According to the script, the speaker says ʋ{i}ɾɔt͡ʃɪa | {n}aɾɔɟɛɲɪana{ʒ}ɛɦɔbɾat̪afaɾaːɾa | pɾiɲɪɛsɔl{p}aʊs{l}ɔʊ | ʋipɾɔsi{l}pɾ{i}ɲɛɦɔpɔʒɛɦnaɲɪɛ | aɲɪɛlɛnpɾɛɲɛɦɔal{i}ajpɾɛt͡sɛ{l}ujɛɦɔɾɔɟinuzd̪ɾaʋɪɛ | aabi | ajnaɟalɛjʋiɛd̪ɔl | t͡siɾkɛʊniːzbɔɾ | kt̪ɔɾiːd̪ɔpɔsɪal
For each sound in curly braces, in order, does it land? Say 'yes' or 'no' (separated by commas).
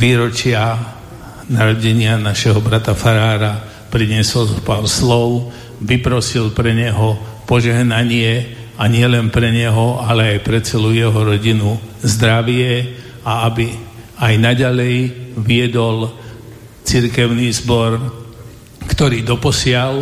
no, yes, no, yes, yes, yes, no, no, yes